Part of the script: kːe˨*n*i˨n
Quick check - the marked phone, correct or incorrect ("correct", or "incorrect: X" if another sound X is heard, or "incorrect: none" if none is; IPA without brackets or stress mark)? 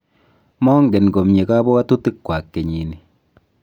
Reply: incorrect: ɲ